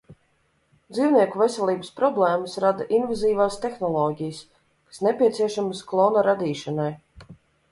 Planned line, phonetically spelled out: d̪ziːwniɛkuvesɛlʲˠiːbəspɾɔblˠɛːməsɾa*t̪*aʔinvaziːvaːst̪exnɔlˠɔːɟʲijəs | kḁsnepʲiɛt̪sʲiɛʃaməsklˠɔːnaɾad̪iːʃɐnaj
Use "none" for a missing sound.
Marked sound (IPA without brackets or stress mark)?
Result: d̪